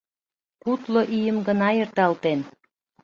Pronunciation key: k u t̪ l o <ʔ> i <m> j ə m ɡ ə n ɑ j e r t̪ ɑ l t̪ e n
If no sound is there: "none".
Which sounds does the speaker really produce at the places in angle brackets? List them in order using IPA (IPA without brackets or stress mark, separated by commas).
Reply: ʔ, none